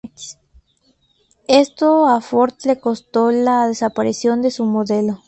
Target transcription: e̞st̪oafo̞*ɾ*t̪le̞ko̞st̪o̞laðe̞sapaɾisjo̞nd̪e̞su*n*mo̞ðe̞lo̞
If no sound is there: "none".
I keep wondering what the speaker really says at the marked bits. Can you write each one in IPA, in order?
ɾ, none

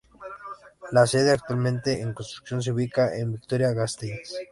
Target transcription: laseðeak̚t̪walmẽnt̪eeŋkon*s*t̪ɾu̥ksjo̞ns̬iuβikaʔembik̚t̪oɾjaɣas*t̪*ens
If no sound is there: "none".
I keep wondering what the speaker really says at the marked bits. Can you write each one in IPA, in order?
s, t̪

